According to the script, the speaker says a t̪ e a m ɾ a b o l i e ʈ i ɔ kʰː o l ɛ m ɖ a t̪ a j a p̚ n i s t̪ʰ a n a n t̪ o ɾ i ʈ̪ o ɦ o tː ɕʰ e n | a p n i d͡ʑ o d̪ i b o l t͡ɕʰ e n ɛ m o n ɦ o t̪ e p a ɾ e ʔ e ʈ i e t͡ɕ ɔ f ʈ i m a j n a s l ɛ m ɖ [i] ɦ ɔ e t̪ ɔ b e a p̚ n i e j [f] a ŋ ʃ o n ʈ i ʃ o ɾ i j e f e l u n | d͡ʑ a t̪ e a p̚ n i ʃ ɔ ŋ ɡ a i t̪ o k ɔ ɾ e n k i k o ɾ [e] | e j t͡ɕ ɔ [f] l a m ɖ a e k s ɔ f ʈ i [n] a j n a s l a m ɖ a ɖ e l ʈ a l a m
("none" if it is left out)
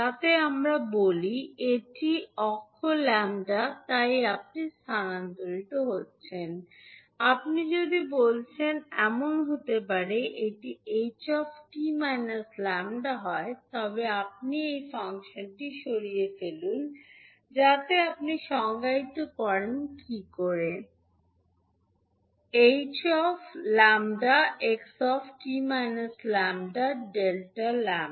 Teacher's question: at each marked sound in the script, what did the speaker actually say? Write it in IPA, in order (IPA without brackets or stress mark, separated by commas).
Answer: a, f, e, f, m